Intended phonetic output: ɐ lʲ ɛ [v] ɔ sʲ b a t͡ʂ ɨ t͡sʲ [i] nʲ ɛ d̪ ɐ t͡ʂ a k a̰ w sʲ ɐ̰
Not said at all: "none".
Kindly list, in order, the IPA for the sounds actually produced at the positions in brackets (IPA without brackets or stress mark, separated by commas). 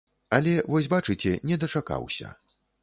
v, ɛ